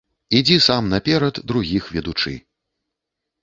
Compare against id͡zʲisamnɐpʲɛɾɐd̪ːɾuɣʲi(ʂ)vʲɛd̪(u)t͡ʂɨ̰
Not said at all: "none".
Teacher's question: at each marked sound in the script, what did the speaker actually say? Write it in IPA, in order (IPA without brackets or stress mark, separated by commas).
x, u